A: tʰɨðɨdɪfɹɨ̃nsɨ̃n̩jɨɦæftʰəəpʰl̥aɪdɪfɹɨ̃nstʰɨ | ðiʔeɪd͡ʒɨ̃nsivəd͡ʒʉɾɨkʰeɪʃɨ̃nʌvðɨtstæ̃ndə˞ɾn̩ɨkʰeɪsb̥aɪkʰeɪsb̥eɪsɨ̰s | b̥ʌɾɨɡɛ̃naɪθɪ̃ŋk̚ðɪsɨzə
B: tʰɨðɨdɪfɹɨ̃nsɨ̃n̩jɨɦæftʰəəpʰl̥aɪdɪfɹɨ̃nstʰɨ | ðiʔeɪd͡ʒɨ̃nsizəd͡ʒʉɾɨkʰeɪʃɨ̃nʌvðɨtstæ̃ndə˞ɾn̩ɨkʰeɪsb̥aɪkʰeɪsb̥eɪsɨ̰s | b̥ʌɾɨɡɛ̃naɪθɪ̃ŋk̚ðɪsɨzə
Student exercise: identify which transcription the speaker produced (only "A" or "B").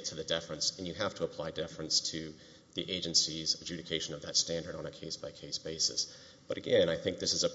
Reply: B